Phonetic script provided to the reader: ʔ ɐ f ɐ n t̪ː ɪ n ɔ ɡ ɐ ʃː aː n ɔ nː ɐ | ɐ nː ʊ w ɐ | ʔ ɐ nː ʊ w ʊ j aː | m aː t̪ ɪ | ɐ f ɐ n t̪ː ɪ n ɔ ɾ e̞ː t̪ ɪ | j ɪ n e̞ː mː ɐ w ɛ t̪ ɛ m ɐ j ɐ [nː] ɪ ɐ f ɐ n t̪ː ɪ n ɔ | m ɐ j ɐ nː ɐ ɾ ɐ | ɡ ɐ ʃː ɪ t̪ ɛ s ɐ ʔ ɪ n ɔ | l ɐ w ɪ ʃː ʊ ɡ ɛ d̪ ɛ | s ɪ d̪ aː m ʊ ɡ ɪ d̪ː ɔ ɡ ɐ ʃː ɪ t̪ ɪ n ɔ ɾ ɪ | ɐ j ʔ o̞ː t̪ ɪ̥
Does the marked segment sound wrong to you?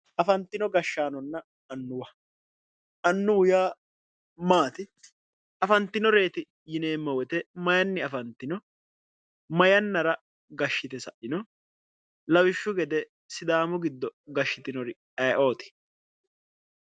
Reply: no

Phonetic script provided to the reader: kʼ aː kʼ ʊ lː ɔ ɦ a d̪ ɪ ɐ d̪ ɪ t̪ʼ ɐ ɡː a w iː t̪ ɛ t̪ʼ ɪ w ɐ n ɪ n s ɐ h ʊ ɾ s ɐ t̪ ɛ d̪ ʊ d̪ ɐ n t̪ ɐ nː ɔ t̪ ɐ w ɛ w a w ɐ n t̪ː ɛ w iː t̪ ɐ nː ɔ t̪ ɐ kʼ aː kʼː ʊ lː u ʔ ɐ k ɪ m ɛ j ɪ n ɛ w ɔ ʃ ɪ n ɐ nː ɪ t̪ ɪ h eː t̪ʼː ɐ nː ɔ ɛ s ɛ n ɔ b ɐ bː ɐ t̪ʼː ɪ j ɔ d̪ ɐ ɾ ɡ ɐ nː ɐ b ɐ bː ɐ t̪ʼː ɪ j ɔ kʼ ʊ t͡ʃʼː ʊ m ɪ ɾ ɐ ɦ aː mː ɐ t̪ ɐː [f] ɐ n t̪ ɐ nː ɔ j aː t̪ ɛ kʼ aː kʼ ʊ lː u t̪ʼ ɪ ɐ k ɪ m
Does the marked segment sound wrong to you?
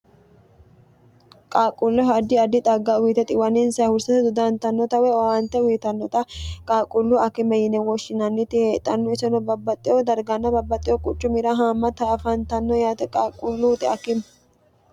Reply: no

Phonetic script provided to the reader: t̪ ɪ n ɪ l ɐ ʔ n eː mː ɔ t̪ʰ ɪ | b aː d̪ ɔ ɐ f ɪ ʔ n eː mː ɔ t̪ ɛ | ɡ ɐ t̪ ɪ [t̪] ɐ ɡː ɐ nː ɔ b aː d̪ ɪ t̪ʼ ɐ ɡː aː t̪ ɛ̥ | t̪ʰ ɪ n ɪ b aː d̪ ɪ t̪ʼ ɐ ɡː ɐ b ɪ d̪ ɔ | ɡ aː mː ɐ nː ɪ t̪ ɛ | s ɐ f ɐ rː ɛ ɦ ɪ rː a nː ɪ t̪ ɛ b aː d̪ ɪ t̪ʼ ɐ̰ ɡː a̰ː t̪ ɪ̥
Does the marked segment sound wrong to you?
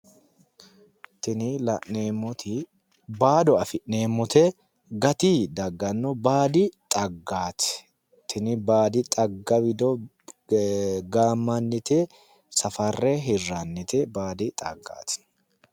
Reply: yes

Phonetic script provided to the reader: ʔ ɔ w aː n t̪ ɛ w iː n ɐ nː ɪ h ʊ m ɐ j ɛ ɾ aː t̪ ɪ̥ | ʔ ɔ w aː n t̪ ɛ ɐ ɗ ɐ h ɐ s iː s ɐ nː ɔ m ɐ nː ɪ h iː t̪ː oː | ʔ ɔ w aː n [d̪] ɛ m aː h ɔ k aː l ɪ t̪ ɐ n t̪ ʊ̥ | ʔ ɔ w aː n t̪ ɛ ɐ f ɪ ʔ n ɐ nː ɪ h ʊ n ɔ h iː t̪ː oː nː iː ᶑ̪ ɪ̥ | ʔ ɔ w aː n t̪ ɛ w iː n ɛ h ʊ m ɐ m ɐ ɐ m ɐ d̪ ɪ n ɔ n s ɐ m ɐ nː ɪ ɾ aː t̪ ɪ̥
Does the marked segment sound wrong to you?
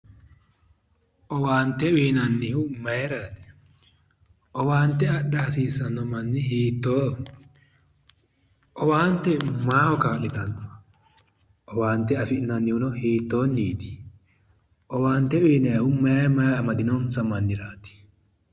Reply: yes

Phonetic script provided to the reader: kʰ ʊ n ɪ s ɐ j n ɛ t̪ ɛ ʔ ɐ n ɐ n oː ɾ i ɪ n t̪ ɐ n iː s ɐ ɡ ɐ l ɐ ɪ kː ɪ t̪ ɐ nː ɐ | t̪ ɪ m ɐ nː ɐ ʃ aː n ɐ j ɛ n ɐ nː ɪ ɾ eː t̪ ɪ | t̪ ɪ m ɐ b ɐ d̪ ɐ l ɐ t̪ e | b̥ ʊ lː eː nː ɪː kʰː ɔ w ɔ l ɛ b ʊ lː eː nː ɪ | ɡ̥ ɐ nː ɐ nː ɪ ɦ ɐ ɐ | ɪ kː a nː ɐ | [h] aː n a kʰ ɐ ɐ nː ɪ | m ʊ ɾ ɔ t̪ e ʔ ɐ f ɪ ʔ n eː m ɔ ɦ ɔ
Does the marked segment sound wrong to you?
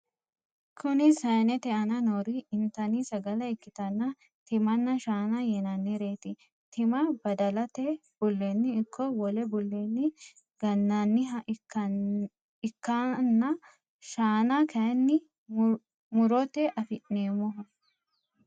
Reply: yes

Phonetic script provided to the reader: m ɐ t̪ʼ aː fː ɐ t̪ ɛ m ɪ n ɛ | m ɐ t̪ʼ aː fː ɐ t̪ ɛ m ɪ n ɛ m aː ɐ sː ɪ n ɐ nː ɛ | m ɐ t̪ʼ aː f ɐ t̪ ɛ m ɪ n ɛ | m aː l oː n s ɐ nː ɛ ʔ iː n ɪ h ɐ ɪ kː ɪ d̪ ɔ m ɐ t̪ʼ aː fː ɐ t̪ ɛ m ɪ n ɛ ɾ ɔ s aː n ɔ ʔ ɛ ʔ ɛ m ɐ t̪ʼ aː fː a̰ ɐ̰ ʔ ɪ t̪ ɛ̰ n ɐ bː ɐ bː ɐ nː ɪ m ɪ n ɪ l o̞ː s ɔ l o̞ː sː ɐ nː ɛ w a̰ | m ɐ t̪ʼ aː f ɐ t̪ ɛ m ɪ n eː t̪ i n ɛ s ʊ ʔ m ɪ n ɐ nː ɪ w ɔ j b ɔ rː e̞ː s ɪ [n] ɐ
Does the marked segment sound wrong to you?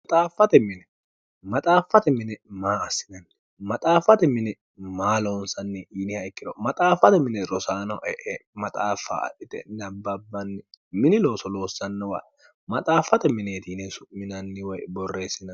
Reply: no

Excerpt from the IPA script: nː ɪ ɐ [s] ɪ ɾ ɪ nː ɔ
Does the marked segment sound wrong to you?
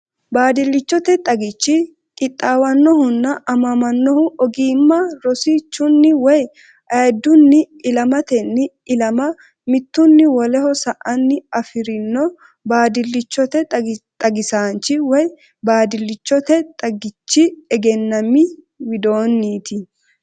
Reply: yes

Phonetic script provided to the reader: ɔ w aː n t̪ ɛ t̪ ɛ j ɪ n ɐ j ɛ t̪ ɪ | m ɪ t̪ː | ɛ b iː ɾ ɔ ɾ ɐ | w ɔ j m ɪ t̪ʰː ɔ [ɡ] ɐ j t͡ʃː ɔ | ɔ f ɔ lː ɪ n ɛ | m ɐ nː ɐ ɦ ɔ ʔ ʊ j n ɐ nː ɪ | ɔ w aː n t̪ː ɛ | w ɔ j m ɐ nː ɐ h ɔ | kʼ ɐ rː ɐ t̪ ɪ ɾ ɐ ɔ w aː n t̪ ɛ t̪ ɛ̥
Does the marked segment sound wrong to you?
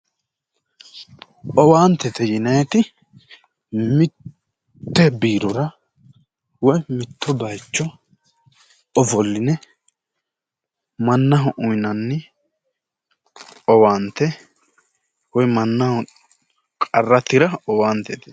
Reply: yes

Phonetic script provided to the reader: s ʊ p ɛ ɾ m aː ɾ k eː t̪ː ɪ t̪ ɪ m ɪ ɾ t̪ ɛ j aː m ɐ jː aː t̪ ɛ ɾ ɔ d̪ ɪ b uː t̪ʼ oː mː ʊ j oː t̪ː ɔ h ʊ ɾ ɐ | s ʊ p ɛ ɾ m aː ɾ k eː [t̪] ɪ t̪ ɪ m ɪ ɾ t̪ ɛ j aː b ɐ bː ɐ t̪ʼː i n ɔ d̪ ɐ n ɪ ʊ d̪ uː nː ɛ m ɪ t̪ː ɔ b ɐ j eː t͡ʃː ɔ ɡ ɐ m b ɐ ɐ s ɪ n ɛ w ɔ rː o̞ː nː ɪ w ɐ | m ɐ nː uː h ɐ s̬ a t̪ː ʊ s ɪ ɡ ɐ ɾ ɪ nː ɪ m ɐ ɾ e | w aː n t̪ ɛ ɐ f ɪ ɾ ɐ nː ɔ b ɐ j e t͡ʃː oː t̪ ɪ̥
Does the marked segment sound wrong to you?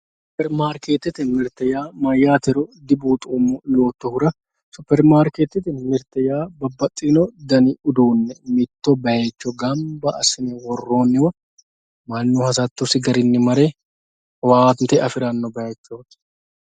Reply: no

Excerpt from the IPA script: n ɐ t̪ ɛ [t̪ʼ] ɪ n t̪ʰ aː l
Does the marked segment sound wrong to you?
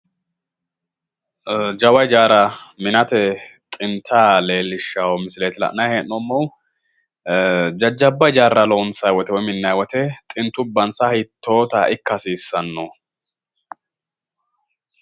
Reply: no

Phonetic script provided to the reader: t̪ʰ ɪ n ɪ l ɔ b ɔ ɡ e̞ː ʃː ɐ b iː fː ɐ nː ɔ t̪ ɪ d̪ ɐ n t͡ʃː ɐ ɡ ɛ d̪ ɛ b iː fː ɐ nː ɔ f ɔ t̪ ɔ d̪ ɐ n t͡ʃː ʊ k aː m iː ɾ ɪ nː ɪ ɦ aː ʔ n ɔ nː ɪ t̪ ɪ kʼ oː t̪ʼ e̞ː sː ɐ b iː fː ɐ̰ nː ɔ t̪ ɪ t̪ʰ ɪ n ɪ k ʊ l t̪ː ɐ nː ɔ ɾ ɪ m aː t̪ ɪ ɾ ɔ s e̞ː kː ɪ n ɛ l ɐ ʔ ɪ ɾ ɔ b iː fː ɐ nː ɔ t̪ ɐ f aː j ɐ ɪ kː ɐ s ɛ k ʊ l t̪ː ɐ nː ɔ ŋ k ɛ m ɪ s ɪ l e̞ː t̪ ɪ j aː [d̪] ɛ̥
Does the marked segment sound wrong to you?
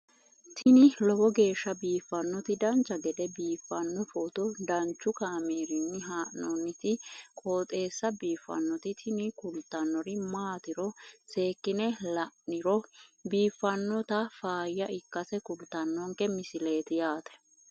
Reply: yes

